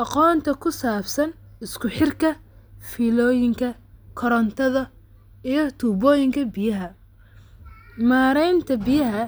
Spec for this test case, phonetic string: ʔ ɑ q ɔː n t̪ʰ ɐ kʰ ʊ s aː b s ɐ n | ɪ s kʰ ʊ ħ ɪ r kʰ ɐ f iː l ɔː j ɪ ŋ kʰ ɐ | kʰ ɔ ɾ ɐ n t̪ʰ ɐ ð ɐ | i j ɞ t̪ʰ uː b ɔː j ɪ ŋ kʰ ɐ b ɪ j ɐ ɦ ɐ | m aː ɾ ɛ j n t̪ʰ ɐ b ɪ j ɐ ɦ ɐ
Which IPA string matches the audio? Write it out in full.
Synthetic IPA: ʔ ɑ q ɔː n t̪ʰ ɐ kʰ ʊ s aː b s ɐ n | ɪ s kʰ ʊ ħ ɪ r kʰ ɐ f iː l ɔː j ɪ ŋ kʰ ɐ | kʰ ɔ ɾ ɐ n t̪ʰ ɐ ð ɐ | i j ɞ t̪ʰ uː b ɔː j ɪ ŋ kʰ ɐ b ɪ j ɐ ɦ ɐ | m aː ɾ ɛ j n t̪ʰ ɐ b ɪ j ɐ ɦ ɐ